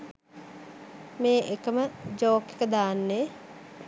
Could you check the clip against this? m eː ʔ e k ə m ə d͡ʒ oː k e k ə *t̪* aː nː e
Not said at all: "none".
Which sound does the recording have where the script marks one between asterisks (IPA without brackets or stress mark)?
d̪